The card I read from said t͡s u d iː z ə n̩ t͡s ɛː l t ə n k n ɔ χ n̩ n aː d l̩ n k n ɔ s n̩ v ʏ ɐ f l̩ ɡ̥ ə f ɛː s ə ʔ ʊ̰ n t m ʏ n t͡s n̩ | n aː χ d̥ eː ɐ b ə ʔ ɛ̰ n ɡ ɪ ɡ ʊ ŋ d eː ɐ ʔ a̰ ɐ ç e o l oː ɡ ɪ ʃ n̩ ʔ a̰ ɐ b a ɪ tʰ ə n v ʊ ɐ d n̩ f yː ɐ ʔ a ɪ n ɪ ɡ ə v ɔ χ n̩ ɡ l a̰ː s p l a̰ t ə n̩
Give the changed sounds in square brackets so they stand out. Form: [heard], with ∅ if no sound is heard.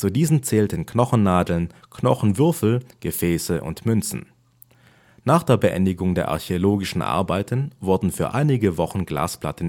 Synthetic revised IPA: t͡s u d iː z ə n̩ t͡s ɛː l t ə n k n ɔ χ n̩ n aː d l̩ n k n ɔ [χ] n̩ v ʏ ɐ f l̩ ɡ̥ ə f ɛː s ə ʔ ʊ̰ n t m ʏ n t͡s n̩ | n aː χ d̥ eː ɐ b ə ʔ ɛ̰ n [d] ɪ ɡ ʊ ŋ d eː ɐ ʔ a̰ ɐ ç e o l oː ɡ ɪ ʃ n̩ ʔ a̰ ɐ b a ɪ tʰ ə n v ʊ ɐ d n̩ f yː ɐ ʔ a ɪ n ɪ ɡ ə v ɔ χ n̩ ɡ l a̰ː s p l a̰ t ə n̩